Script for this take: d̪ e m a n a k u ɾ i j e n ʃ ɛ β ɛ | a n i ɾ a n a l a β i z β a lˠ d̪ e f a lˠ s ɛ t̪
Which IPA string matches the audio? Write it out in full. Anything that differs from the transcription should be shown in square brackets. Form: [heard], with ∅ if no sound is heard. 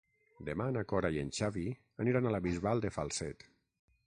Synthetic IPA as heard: d̪ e m a n a k [ɔ] ɾ [a] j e n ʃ [a] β [i] | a n i ɾ a n a l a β i z β a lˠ d̪ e f a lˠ s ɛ t̪